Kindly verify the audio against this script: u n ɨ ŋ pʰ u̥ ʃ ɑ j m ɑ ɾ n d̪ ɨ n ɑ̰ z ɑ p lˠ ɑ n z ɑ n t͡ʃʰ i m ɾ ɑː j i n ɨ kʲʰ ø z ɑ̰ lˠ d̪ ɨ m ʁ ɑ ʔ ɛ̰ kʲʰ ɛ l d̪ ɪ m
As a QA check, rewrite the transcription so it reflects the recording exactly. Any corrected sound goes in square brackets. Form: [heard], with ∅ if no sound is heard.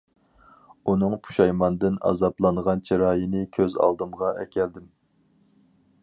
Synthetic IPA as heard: u n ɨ ŋ pʰ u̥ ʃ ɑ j m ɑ [∅] n d̪ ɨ n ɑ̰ z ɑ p lˠ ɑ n [ʁ] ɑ n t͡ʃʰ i [∅] ɾ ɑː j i n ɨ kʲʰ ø z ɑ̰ lˠ d̪ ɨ m ʁ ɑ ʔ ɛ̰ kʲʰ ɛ l d̪ ɪ m